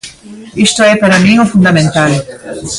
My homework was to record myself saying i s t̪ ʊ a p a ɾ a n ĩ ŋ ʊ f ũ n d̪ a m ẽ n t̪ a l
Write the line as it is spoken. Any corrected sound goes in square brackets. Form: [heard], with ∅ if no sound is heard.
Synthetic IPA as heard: i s t̪ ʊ [ɛ] p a ɾ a [m] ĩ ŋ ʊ f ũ n d̪ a m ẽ n t̪ a l

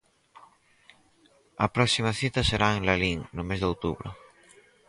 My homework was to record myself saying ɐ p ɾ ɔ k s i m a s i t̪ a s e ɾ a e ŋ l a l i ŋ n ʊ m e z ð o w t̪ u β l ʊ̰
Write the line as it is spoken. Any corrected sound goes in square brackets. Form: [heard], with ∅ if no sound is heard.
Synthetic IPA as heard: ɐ p ɾ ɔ k s i m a [θ] i t̪ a s e ɾ a e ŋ l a l i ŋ n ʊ m e z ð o w t̪ u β [ɾ] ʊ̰

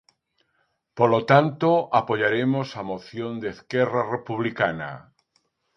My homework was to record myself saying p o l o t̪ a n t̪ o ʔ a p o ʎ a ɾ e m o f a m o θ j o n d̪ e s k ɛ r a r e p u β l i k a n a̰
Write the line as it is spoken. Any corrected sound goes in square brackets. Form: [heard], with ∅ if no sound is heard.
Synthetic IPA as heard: p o l o t̪ a n t̪ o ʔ a p o ʎ a ɾ e m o [s] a m o θ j o n d̪ e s k ɛ r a r e p u β l i k a n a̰

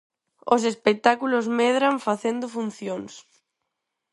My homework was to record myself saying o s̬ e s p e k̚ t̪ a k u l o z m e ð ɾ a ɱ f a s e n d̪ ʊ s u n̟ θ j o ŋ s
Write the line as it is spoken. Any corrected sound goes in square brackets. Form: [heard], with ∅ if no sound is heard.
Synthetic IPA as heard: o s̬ e s p e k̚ t̪ a k u l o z m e ð ɾ a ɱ f a [θ] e n d̪ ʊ [f] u n̟ θ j o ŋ s

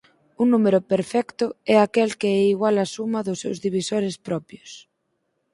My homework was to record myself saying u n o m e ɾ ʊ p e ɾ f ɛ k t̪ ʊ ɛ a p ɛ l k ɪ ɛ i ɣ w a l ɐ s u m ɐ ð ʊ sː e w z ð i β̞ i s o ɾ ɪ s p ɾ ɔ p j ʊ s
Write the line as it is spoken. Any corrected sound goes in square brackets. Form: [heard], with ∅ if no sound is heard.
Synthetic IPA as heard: u n [u] m e ɾ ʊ p e ɾ f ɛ k t̪ ʊ ɛ a [k] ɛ l k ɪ ɛ i ɣ w a l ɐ s u m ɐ ð ʊ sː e w z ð i β̞ i s o ɾ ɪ s p ɾ ɔ p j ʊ s

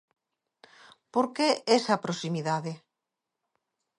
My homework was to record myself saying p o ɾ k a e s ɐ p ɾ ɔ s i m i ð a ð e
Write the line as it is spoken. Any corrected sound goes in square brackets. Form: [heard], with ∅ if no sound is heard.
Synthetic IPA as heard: p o ɾ k [e] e s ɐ p ɾ [o] s i m i ð a ð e

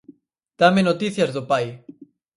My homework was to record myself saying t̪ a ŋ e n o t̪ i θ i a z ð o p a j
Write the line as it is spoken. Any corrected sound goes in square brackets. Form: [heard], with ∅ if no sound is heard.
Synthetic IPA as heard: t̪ a [m] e n o t̪ i θ [j] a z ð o p a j

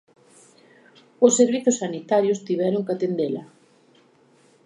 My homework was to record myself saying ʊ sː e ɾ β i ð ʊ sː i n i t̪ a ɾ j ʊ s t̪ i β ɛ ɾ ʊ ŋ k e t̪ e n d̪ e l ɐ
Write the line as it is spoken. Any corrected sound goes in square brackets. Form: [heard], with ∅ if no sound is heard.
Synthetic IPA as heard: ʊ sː e ɾ β i [θ] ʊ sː [a] n i t̪ a ɾ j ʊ s t̪ i β ɛ ɾ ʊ ŋ k [a] t̪ e n d̪ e l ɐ

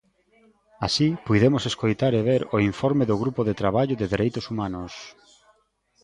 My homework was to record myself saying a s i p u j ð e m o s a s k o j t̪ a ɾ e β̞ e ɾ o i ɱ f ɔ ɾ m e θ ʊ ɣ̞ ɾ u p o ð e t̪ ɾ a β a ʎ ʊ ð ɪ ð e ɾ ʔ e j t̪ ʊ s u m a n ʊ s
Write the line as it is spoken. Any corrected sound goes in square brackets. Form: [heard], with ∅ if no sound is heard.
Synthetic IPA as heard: a s i p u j ð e m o s [e] s k o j t̪ a ɾ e β̞ e ɾ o i ɱ f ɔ ɾ m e [ð] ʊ ɣ̞ ɾ u p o ð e t̪ ɾ a β a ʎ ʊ ð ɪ ð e ɾ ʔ e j t̪ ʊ s u m a n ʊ s

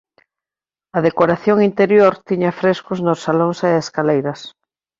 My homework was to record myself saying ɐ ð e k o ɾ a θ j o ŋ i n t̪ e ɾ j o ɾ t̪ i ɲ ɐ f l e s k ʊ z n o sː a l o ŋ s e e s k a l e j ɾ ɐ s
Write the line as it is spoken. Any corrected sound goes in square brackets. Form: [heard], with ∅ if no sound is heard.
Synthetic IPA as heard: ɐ ð e k o ɾ a θ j o ŋ i n t̪ e ɾ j o ɾ t̪ i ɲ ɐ f [ɾ] e s k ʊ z n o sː a l o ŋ s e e s k a l e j ɾ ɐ s

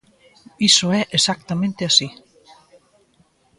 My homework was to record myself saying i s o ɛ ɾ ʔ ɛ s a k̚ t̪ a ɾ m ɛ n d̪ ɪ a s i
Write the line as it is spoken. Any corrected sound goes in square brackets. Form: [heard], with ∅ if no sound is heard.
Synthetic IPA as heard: i s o ɛ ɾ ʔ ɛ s a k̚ t̪ a [∅] m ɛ n [t̪] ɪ a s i

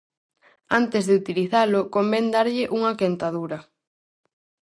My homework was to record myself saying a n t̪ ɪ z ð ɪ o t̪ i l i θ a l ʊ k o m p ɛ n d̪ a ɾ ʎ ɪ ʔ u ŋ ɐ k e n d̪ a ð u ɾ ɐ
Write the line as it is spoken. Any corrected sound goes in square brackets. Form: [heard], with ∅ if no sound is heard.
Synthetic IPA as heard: a n t̪ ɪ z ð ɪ [u] t̪ i l i θ a l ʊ k o m [b] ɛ n d̪ a ɾ ʎ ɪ ʔ u ŋ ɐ k e n [t̪] a ð u ɾ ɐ

